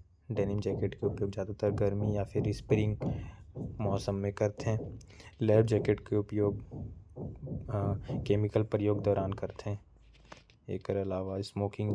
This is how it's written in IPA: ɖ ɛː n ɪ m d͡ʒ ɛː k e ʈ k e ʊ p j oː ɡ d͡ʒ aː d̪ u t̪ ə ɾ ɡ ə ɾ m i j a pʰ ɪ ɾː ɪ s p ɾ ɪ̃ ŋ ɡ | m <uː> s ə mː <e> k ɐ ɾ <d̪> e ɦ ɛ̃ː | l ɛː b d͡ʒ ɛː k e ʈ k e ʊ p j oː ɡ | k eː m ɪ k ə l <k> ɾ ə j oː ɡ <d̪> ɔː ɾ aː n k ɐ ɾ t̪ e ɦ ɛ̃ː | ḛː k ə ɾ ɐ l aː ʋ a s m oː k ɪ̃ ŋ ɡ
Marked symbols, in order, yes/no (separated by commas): no, no, no, no, yes